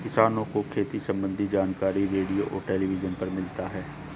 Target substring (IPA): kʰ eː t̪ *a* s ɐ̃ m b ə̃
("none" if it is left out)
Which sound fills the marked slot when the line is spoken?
i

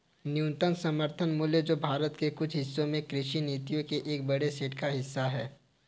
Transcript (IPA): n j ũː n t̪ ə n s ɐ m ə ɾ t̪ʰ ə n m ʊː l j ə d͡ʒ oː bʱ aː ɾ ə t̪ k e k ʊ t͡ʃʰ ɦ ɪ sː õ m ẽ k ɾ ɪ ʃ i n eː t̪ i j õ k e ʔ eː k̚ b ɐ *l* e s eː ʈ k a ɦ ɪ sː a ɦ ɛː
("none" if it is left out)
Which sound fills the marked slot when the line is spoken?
ɽ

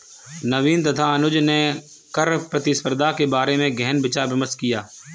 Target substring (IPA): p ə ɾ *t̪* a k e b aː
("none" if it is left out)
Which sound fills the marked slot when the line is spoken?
d̪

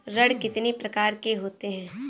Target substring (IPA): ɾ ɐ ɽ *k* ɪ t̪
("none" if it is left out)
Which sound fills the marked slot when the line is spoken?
k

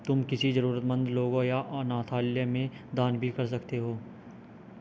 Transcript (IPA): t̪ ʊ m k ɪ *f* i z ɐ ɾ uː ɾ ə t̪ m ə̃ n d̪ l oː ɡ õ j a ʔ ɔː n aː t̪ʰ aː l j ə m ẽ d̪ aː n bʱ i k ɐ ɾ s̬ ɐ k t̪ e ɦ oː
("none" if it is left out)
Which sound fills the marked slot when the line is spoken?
s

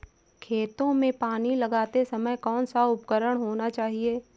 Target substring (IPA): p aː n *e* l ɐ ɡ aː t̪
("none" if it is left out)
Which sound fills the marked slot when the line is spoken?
i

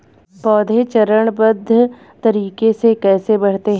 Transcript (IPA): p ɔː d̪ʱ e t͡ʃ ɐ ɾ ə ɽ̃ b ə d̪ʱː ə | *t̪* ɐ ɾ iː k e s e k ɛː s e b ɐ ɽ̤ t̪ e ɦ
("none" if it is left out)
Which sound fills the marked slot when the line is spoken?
t̪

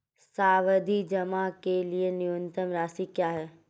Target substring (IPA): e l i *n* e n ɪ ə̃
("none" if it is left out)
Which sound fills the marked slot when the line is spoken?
none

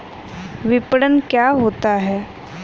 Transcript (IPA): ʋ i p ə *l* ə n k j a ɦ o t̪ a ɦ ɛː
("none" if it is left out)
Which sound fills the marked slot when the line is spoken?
ɽ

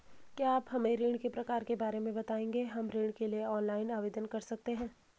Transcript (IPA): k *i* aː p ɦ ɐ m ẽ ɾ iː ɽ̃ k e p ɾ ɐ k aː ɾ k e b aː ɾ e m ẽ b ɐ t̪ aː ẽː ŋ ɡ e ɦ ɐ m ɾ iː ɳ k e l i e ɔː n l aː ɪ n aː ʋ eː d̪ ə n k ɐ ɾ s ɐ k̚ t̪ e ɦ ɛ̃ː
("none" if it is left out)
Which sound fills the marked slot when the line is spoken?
j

